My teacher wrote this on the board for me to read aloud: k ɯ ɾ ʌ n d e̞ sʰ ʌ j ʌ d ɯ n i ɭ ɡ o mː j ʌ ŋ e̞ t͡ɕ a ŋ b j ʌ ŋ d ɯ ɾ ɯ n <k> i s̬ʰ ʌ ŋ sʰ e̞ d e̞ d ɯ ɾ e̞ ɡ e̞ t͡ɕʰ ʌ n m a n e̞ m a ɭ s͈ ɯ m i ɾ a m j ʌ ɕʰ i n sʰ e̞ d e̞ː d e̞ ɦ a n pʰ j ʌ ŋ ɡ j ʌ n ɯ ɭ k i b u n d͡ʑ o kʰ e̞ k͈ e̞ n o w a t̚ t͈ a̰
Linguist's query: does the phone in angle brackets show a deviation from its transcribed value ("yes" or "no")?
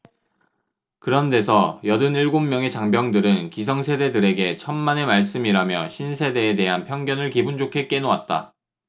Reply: no